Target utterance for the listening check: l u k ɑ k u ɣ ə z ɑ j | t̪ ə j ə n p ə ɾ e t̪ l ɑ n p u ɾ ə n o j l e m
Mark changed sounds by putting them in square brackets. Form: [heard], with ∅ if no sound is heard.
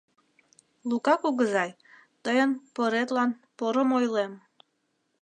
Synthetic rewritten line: l u k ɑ k u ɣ ə z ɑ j | t̪ ə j ə n p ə ɾ e t̪ l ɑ n p [o] ɾ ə [m] o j l e m